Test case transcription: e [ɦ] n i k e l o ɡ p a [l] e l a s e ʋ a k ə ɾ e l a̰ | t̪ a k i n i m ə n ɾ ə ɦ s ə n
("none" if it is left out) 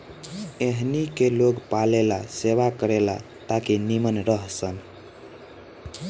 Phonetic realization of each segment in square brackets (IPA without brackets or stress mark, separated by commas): ɦ, l